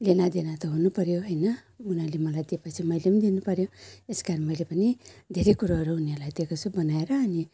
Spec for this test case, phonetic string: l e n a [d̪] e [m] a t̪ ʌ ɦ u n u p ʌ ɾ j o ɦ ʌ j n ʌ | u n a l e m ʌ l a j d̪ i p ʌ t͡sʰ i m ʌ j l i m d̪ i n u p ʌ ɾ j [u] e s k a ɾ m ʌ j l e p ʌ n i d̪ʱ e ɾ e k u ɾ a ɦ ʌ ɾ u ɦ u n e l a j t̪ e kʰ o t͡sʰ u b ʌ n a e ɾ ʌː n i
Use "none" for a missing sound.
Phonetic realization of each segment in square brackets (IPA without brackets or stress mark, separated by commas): d̪, n, o